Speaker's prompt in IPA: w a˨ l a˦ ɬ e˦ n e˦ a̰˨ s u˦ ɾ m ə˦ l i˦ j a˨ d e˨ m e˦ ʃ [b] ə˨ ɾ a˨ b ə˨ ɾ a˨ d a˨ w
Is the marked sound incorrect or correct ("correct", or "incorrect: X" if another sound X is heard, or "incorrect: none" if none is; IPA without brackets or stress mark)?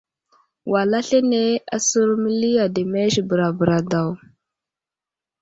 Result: correct